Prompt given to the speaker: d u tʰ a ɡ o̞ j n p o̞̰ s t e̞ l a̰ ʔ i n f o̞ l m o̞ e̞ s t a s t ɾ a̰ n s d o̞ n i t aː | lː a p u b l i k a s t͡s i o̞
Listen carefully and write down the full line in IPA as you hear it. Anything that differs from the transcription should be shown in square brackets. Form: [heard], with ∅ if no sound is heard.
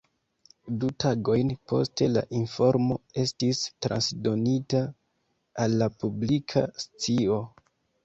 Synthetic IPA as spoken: d u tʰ a ɡ o̞ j n p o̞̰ s t e̞ l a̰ ʔ i n f o̞ [ɾ] m o̞ e̞ s t [i] s t ɾ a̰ n s d o̞ n i t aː | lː a p u b l i [kʰ] a s t͡s i o̞